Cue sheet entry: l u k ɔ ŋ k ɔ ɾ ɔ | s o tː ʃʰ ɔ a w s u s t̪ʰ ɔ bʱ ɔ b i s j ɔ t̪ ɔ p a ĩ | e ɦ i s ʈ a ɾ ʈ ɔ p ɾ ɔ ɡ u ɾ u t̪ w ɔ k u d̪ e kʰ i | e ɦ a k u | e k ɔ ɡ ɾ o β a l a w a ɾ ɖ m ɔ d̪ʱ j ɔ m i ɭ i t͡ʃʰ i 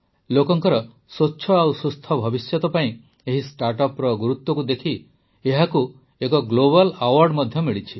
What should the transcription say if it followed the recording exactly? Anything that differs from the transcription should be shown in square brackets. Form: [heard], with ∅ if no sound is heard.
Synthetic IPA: l [o] k ɔ ŋ k ɔ ɾ ɔ | s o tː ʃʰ ɔ a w s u s t̪ʰ ɔ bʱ ɔ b i s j ɔ t̪ ɔ p a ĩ | e ɦ i s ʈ a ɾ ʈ ɔ p ɾ ɔ ɡ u ɾ u t̪ w ɔ k u d̪ e kʰ i | e ɦ a k u | e k ɔ ɡ [l] o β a l a w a ɾ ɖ m ɔ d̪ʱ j ɔ m i ɭ i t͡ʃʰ i

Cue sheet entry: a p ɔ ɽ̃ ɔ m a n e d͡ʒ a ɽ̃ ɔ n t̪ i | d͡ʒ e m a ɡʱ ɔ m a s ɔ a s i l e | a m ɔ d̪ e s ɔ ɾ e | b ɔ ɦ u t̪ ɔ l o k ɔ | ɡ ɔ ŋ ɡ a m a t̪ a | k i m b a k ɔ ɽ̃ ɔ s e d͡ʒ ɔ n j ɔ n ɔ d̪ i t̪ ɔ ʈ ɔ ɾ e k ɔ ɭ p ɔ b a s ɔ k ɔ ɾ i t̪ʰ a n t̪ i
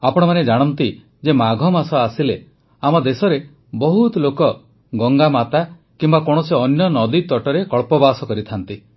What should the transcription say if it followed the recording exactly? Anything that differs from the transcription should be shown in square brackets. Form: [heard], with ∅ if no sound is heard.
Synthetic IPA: a p ɔ ɽ̃ ɔ m a n e d͡ʒ a ɽ̃ ɔ n t̪ i | d͡ʒ e m a ɡʱ ɔ m a s ɔ a s i l e | a m ɔ d̪ e s ɔ ɾ e | b ɔ ɦ u t̪ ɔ l o k ɔ | ɡ ɔ ŋ ɡ a m a t̪ a | k i m b a k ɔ ɽ̃ ɔ s e [∅] ɔ n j ɔ n ɔ d̪ i t̪ ɔ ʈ ɔ ɾ e k ɔ ɭ p ɔ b a s ɔ k ɔ ɾ i t̪ʰ a n t̪ i

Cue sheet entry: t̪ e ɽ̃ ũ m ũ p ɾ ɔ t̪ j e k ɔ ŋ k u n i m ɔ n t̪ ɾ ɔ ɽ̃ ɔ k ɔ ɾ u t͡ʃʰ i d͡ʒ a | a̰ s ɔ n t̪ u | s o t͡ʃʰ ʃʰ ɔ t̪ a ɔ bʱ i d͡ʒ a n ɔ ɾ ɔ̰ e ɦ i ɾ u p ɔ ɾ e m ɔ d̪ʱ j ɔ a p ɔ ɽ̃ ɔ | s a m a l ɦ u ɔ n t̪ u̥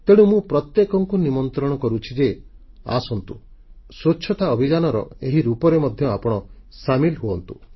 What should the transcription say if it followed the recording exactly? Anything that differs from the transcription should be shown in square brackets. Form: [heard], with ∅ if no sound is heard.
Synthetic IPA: t̪ e ɽ̃ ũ m ũ p ɾ ɔ t̪ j e k ɔ ŋ k u n i m ɔ n t̪ ɾ ɔ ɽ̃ ɔ k ɔ ɾ u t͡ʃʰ i d͡ʒ [e] | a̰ s ɔ n t̪ u | s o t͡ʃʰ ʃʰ ɔ t̪ a ɔ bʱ i d͡ʒ a n ɔ ɾ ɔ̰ e ɦ i ɾ u p ɔ ɾ e m ɔ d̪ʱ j ɔ a p ɔ ɽ̃ ɔ | s a m [i] l ɦ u ɔ n t̪ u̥

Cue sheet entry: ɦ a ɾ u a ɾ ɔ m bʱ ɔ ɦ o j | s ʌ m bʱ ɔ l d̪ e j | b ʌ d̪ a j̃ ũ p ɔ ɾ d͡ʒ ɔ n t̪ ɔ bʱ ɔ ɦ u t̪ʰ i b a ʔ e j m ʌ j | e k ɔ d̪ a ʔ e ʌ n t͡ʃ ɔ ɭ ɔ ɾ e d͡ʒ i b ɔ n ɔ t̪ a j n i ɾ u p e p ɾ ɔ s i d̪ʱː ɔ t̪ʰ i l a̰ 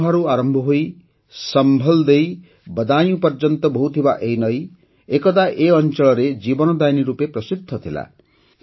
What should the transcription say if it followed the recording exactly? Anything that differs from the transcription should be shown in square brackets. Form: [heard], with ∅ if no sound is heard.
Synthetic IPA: ɦ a ɾ u a ɾ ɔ m bʱ ɔ ɦ o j | s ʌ m bʱ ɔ l d̪ e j | b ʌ d̪ a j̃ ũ p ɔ ɾ d͡ʒ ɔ n t̪ ɔ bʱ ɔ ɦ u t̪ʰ i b a ʔ e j [n] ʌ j | e k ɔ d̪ a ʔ e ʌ n t͡ʃ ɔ ɭ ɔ ɾ e d͡ʒ i b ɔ n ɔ [d̪] a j n i ɾ u p e p ɾ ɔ s i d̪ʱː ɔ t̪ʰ i l a̰

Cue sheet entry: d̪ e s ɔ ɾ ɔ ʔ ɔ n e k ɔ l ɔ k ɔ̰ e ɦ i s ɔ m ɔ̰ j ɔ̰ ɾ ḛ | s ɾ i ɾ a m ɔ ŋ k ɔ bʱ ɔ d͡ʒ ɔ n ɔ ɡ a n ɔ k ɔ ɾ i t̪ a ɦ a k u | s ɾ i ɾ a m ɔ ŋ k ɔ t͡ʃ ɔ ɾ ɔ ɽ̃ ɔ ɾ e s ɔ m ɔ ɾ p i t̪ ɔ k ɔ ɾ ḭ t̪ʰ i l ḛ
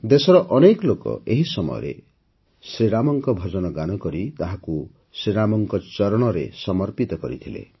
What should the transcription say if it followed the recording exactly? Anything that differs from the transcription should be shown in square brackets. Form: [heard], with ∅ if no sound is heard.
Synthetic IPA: d̪ e s ɔ ɾ ɔ ʔ ɔ n e k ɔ l [o] k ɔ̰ e ɦ i s ɔ m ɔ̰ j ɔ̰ ɾ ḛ | s ɾ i ɾ a m ɔ ŋ k ɔ bʱ ɔ d͡ʒ ɔ n ɔ ɡ a n ɔ k ɔ ɾ i t̪ a ɦ a k u | s ɾ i ɾ a m ɔ ŋ k ɔ t͡ʃ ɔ ɾ ɔ ɽ̃ ɔ ɾ e s ɔ m ɔ ɾ p i t̪ ɔ k ɔ ɾ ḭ t̪ʰ i l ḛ

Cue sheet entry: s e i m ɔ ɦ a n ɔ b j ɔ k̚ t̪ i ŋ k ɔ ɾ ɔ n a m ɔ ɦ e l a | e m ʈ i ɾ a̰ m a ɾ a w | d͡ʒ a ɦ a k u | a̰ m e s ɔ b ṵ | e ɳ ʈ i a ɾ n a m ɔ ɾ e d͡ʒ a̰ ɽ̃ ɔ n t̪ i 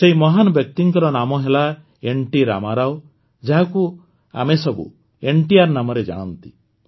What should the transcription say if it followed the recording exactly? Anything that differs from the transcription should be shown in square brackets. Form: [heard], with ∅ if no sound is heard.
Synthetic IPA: s e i m ɔ ɦ a n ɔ b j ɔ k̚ t̪ i ŋ k ɔ ɾ ɔ n a m ɔ ɦ e l a | e [ɳ] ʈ i ɾ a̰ m a ɾ a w | d͡ʒ a ɦ a k u | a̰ m e s ɔ b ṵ | e ɳ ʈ i a ɾ n a m ɔ ɾ e d͡ʒ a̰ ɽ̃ ɔ n t̪ i

